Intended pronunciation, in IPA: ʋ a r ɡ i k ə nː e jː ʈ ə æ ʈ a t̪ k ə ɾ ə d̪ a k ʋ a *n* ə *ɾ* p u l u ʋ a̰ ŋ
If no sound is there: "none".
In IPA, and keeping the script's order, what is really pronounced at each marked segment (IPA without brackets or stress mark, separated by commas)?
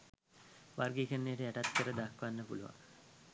nː, none